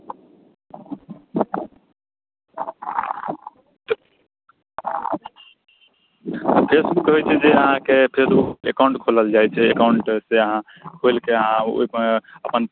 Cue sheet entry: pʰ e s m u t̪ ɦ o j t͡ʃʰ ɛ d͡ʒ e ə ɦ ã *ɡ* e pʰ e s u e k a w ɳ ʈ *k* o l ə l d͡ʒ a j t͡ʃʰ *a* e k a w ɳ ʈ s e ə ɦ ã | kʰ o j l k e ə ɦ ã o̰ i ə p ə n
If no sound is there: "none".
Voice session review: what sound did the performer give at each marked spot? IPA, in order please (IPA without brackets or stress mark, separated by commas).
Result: k, kʰ, ɛ